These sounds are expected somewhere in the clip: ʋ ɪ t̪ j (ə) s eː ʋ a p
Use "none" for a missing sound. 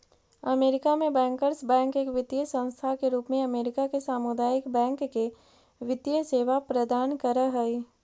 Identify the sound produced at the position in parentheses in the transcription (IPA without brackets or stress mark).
ə